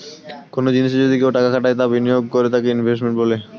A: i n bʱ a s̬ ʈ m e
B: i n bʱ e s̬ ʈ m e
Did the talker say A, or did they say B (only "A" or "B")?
B